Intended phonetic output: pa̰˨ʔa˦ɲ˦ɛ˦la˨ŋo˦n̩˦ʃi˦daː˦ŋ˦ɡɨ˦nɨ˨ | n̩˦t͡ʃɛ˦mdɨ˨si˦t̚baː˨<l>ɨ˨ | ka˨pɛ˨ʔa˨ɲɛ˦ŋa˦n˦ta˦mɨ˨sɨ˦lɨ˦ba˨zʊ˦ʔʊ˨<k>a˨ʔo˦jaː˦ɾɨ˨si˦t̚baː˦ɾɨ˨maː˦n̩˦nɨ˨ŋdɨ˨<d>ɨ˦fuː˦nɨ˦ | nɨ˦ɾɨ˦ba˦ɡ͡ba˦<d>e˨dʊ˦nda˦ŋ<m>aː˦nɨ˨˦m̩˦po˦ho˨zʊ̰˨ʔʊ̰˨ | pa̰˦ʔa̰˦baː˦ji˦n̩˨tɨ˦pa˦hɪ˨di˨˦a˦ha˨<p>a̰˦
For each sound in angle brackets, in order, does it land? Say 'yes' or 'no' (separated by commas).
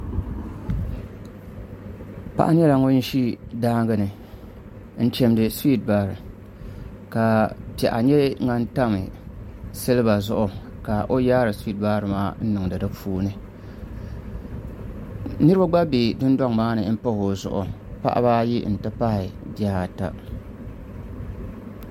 no, yes, yes, no, yes, no